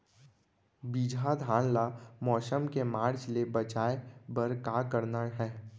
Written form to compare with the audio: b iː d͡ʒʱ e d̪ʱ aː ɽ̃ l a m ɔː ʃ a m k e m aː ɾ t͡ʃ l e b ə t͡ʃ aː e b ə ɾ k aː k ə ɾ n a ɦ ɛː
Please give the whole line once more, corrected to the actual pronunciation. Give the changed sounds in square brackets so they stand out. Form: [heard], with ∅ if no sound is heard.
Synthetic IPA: b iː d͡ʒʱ [a] d̪ʱ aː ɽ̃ l a m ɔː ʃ [ə] m k e m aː ɾ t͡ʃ l e b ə t͡ʃ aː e b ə ɾ k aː k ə ɾ n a ɦ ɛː